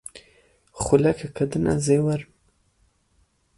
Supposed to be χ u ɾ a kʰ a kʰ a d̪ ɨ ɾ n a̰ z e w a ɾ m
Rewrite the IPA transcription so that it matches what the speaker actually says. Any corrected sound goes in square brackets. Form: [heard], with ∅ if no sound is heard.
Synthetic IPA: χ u [l] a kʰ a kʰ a d̪ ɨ [∅] n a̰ z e w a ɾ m